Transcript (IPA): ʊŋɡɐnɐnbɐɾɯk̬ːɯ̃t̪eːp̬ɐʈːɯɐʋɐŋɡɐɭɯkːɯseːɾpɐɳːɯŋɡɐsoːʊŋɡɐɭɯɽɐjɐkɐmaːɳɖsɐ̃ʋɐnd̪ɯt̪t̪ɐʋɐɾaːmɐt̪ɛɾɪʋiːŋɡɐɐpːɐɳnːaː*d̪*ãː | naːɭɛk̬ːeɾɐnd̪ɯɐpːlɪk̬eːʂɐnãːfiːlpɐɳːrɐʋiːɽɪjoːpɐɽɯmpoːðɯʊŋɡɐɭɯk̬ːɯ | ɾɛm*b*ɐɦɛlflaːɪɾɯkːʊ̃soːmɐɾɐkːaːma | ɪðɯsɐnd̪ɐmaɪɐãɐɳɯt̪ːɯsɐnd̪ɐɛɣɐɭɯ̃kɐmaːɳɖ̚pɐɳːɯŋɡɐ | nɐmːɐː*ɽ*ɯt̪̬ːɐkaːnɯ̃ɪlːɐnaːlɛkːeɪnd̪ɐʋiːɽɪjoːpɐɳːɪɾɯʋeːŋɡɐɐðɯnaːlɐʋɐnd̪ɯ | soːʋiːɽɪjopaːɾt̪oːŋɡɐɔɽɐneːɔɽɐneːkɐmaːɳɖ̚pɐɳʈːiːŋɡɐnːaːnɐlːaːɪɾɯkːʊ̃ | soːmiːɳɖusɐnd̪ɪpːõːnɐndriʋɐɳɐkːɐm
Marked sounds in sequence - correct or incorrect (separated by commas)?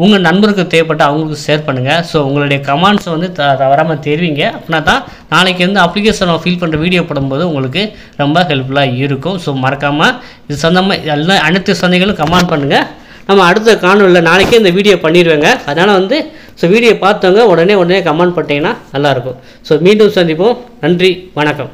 incorrect, correct, correct